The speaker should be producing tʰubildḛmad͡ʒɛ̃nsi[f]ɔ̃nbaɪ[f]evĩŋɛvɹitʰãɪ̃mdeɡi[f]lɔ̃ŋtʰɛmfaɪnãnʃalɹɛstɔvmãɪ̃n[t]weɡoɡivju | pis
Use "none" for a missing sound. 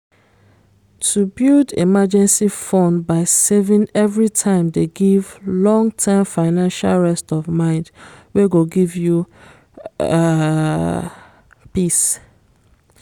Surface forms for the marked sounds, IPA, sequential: f, s, v, d

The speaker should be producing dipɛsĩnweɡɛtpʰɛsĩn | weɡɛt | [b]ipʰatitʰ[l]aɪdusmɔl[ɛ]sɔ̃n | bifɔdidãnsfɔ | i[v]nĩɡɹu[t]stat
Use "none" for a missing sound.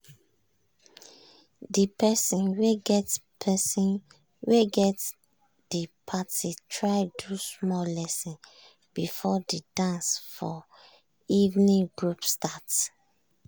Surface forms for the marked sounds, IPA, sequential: d, ɹ, ɛ, v, p

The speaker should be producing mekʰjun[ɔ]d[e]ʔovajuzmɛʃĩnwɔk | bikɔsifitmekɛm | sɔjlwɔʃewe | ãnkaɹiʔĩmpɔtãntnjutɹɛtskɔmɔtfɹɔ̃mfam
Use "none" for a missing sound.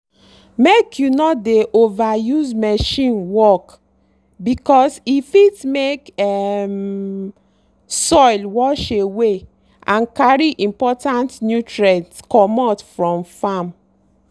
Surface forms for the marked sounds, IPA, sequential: ɔ, e

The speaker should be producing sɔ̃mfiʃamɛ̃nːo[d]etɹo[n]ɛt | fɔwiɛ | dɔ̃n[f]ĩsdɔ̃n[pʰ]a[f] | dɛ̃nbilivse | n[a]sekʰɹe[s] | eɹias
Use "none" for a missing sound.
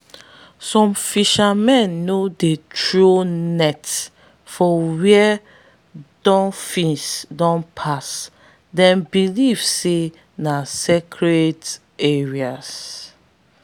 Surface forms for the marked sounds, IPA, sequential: d, n, f, pʰ, s, a, t

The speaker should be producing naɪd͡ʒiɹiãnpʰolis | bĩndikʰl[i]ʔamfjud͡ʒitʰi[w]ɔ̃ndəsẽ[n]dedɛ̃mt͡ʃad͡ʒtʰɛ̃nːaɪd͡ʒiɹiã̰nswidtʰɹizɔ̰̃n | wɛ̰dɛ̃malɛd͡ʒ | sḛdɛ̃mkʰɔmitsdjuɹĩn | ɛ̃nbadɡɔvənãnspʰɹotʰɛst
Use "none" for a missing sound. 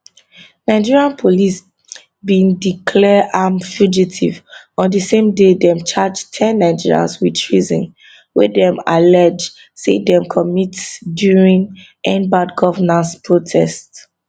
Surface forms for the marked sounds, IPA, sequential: ɛ, v, m

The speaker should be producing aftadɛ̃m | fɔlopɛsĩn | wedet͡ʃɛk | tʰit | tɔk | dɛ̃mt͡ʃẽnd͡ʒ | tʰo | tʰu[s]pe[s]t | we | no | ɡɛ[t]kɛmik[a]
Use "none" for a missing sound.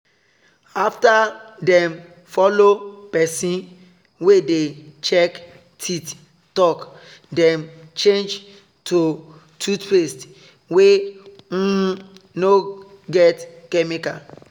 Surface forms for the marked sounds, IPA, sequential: t, s, t, a

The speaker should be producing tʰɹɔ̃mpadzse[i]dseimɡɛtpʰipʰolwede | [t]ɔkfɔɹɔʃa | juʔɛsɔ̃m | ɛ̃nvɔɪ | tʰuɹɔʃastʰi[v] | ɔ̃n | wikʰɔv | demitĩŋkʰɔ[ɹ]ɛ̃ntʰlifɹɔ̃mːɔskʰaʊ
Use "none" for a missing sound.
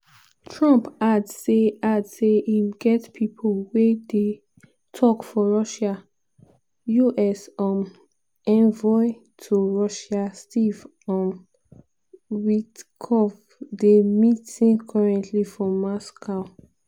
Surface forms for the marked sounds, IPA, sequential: a, tʰ, v, ɹ

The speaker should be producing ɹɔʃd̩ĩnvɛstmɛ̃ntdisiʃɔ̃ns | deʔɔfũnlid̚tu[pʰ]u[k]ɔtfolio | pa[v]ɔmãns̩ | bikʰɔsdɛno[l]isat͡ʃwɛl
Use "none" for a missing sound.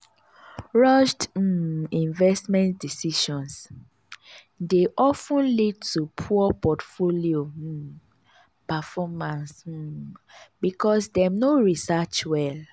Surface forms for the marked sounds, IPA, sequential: pʰ, p, f, ɹ

